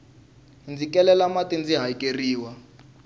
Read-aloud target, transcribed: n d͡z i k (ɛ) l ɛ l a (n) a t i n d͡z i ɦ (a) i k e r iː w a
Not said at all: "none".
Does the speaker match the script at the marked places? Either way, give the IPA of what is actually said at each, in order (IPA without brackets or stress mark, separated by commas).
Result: ɛ, m, a